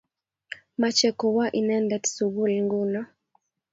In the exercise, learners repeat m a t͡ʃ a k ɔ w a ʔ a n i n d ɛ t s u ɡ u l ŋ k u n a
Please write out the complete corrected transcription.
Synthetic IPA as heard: m a t͡ʃ ɛ k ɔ w a ʔ i n ɛ n d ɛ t s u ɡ u l ŋ ɡ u n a